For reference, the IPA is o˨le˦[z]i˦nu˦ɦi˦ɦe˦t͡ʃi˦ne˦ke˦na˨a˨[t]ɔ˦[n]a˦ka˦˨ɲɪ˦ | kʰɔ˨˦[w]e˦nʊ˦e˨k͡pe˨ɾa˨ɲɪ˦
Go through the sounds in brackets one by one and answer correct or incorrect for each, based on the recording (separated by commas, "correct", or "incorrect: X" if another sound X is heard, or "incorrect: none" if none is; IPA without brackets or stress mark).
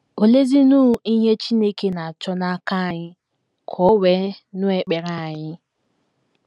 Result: correct, incorrect: t͡ʃ, correct, correct